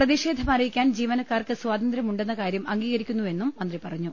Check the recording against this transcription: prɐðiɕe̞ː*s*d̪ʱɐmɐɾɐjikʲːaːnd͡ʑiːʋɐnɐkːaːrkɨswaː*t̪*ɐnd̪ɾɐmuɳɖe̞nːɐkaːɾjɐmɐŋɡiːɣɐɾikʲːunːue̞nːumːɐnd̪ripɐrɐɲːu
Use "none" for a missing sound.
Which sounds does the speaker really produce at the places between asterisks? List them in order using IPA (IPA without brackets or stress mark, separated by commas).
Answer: none, d̪